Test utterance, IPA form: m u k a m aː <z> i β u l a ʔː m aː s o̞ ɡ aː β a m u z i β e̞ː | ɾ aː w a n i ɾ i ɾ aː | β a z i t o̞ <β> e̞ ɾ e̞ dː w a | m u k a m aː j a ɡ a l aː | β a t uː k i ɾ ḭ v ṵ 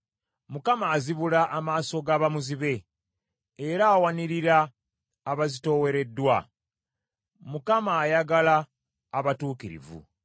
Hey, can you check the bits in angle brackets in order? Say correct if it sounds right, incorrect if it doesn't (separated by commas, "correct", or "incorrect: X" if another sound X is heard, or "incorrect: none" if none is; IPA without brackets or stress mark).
correct, incorrect: w